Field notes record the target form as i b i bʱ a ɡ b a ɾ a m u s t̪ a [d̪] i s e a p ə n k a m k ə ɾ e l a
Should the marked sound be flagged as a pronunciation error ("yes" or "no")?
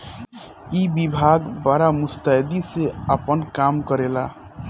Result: no